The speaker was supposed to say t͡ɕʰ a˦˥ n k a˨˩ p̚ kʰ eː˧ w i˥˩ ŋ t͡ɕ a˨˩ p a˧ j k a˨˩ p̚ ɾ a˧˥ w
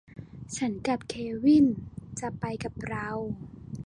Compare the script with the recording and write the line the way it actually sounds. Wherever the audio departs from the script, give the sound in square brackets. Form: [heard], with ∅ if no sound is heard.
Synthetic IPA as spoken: t͡ɕʰ a˦˥ n k a˨˩ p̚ kʰ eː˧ w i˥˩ [n] t͡ɕ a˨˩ p a˧ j k a˨˩ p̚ ɾ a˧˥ w